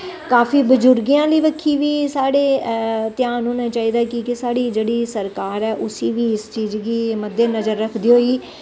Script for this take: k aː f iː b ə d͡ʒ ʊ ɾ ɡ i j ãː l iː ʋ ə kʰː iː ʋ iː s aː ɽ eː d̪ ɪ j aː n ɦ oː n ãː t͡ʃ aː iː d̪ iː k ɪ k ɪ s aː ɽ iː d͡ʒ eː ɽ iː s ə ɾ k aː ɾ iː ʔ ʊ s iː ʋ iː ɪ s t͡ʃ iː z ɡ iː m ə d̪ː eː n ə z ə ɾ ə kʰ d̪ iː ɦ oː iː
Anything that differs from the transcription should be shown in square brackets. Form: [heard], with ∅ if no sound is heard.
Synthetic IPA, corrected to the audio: k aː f iː b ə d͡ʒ ʊ ɾ ɡ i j ãː l iː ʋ ə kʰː iː ʋ iː s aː ɽ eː [t̪] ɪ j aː n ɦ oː n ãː t͡ʃ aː iː d̪ [aː] k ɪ k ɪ s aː ɽ iː d͡ʒ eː ɽ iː s ə ɾ k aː ɾ [ɛː] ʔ ʊ s iː ʋ iː ɪ s t͡ʃ iː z ɡ iː m ə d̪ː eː n ə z ə [ɾː] ə kʰ d̪ iː ɦ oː iː